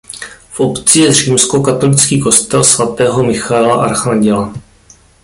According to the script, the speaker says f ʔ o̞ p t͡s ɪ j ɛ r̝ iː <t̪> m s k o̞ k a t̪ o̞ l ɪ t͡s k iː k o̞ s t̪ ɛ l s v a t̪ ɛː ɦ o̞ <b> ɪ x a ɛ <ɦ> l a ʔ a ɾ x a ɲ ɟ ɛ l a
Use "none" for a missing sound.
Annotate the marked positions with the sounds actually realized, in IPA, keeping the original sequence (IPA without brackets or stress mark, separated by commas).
none, m, none